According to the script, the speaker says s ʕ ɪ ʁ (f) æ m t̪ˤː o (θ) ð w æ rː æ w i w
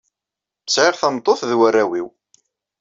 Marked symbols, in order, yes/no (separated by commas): no, yes